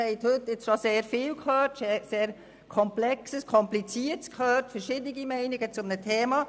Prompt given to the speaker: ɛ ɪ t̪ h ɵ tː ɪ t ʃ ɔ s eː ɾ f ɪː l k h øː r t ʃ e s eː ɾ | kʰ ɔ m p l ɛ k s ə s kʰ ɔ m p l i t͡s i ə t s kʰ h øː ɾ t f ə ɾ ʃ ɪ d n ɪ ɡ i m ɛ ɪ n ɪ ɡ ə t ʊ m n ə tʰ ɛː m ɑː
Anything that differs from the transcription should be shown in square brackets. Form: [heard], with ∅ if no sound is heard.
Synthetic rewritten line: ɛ ɪ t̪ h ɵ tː ɪ [t͡s] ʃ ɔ s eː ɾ f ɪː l k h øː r t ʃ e s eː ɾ | kʰ ɔ m p l ɛ k s ə s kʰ ɔ m p l i t͡s i ə t s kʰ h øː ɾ t f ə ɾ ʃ ɪ d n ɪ ɡ i m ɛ ɪ n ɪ ɡ ə [t͡s] ʊ m n ə tʰ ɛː m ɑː